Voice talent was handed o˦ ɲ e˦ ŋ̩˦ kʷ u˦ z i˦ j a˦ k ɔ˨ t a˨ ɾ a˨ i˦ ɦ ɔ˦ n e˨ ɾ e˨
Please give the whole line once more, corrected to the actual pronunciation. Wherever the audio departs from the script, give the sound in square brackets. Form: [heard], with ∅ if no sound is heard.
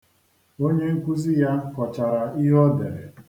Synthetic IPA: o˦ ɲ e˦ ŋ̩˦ kʷ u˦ z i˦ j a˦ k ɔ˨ [t͡ʃ] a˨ ɾ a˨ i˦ ɦ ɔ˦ [d] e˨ ɾ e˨

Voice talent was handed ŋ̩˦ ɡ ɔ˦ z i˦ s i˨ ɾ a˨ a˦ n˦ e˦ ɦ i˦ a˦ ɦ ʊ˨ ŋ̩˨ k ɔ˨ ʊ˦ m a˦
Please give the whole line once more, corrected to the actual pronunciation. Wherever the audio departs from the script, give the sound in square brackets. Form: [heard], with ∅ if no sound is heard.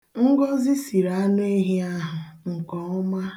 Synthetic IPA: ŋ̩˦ ɡ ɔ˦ z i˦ s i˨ ɾ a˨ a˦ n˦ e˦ ɦ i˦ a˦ ɦ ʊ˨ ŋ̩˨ k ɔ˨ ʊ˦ m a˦

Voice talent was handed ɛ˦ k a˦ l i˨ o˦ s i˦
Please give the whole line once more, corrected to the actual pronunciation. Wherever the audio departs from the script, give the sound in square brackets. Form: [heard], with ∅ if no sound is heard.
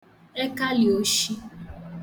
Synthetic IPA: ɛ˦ k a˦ l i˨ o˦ [ʃ] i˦

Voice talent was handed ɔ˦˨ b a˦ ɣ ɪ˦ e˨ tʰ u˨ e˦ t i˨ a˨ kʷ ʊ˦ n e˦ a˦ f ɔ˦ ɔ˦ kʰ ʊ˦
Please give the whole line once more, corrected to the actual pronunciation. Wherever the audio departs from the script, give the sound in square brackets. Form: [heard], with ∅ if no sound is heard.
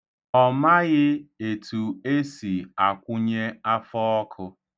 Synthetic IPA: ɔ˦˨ [m] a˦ ɣ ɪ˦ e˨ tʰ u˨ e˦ [s] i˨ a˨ kʷ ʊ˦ [ɲ] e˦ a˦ f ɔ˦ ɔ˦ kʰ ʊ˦

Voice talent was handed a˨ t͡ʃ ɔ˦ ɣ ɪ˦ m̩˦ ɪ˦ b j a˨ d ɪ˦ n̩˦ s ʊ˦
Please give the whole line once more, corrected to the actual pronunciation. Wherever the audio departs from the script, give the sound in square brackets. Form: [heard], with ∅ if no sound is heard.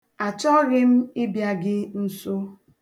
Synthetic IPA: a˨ t͡ʃ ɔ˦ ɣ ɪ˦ m̩˦ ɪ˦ b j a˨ [ɡ] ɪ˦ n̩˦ s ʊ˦

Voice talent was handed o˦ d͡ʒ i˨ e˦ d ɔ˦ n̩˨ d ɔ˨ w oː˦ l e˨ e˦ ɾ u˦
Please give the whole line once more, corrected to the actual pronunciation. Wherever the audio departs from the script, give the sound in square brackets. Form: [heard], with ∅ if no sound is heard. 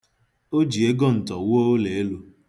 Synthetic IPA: o˦ d͡ʒ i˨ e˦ [ɡ] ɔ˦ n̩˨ [t] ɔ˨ w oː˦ l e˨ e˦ [l] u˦

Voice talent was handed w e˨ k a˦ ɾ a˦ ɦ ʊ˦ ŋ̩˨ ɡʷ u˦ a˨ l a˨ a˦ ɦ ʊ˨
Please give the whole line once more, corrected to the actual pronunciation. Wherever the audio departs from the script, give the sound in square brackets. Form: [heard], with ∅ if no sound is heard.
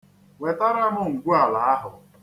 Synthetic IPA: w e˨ [t] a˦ ɾ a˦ ɦ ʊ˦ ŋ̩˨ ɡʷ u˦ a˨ l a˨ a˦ ɦ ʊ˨

